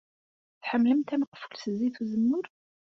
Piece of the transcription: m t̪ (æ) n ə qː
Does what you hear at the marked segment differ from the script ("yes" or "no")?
no